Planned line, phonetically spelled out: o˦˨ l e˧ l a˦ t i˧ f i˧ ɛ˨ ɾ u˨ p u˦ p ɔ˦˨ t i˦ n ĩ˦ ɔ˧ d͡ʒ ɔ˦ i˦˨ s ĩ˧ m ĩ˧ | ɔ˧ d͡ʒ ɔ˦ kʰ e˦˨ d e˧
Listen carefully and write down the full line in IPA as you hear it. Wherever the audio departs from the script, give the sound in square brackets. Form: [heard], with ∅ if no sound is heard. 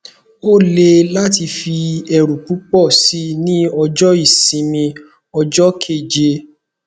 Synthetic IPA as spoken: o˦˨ l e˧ l a˦ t i˧ f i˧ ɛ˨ ɾ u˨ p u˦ [k͡p] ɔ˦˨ [s] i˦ n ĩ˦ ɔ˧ d͡ʒ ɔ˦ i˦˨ s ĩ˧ m ĩ˧ | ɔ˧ d͡ʒ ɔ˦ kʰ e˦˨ [d͡ʒ] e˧